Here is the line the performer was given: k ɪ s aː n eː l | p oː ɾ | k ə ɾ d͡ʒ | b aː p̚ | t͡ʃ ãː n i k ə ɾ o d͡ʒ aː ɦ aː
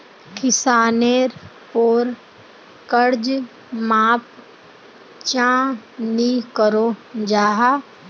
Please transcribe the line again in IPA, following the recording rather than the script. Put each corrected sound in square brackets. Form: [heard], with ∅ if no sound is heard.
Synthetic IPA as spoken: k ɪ s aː n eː [ɾ] | p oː ɾ | k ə ɾ d͡ʒ | [m] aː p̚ | t͡ʃ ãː n i k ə ɾ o d͡ʒ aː ɦ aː